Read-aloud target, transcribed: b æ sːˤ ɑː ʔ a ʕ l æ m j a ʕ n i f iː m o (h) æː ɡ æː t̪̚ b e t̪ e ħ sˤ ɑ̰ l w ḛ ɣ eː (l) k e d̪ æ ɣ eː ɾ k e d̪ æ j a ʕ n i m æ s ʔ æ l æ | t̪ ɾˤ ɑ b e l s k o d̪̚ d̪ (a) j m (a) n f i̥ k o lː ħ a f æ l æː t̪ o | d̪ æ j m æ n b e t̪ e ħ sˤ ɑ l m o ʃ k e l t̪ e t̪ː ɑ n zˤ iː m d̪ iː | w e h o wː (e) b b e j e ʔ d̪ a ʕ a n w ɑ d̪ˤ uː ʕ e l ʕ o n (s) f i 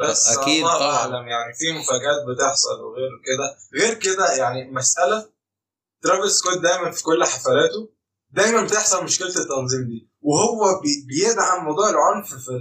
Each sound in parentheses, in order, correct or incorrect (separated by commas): incorrect, incorrect, incorrect, incorrect, incorrect, incorrect